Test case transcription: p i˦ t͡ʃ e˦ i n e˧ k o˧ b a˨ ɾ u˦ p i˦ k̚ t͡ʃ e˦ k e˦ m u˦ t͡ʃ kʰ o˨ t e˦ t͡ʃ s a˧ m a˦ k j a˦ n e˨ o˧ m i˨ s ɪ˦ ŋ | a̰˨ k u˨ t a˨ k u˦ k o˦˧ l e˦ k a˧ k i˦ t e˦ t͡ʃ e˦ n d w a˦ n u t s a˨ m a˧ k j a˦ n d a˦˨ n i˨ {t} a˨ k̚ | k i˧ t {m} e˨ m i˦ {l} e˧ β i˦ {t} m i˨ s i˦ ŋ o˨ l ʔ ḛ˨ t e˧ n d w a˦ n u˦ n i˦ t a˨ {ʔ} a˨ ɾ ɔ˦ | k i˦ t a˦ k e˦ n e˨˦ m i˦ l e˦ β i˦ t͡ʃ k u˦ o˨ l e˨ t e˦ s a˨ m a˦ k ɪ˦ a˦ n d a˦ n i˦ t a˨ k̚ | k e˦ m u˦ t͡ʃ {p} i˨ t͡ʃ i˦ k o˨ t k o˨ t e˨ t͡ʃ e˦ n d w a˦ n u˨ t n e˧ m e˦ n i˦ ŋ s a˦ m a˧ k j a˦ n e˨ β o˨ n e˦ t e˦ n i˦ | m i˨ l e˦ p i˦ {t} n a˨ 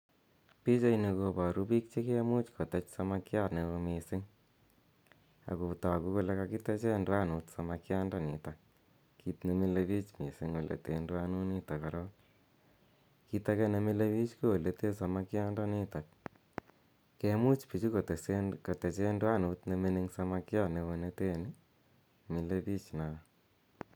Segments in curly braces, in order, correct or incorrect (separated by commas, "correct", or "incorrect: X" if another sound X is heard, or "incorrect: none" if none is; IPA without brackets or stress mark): correct, incorrect: n, correct, incorrect: t͡ʃ, incorrect: k, correct, incorrect: t͡ʃ